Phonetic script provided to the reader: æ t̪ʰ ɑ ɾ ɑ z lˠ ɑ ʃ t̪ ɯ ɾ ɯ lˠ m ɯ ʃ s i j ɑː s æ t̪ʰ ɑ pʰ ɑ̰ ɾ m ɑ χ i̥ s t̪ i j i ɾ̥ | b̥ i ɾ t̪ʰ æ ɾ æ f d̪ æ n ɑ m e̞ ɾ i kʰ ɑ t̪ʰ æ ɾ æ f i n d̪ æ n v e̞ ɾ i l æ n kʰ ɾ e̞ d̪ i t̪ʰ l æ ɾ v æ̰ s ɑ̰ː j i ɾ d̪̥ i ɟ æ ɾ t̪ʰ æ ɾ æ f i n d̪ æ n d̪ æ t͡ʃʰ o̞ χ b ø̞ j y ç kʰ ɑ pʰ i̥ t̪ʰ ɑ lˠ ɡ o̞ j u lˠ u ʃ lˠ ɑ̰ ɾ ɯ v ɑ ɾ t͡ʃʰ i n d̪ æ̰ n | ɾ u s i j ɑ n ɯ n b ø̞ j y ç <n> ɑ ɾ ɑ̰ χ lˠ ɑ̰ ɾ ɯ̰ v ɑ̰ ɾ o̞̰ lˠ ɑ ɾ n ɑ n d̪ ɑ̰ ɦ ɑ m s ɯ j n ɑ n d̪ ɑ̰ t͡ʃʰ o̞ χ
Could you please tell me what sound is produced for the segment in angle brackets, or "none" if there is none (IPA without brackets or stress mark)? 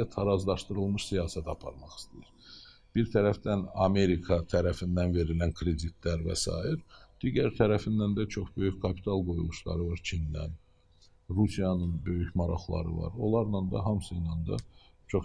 m